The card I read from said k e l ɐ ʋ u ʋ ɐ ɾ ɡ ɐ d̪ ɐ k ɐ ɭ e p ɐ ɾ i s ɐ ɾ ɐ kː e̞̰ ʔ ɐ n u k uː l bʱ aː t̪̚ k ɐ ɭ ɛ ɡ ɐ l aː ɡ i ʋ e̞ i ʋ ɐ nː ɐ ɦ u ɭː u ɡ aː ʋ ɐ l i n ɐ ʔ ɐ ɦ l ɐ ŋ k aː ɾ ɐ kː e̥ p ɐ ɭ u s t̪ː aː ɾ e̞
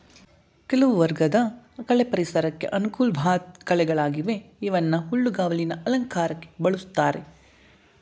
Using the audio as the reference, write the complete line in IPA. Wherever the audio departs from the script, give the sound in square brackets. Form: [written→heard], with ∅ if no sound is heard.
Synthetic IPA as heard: k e l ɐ ʋ u ʋ ɐ ɾ ɡ ɐ d̪ ɐ k ɐ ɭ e p ɐ ɾ i s ɐ ɾ ɐ kː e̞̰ ʔ ɐ n u k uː l bʱ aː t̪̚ k ɐ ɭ ɛ ɡ ɐ [l→ɭ] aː ɡ i ʋ e̞ i ʋ ɐ nː ɐ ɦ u ɭː u ɡ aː ʋ ɐ l i n ɐ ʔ ɐ [ɦ→∅] l ɐ ŋ k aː ɾ ɐ kː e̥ [p→b] ɐ ɭ u s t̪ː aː ɾ e̞